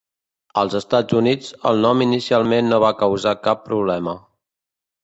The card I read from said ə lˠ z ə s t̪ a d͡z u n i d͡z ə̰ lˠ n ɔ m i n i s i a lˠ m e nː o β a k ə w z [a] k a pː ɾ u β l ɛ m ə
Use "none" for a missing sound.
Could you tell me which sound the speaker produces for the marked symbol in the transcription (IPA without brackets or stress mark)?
a